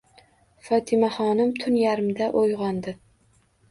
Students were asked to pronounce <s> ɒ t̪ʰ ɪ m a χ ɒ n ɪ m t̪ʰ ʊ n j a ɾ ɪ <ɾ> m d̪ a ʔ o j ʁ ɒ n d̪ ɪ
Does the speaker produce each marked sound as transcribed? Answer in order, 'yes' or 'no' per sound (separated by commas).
no, no